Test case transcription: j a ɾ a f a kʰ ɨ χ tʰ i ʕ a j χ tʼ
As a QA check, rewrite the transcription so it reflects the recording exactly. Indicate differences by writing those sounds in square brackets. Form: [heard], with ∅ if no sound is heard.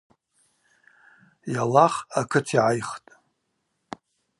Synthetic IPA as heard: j a [l] a [χ] a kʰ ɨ [∅] tʰ i ʕ a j χ tʼ